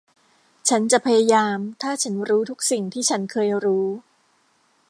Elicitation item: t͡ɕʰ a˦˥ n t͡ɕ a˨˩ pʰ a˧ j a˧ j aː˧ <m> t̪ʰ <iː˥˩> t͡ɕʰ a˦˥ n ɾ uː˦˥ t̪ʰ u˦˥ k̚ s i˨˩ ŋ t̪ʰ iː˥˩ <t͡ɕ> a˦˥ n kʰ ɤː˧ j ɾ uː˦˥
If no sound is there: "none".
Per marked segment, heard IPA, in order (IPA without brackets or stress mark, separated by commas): m, aː˥˩, t͡ɕʰ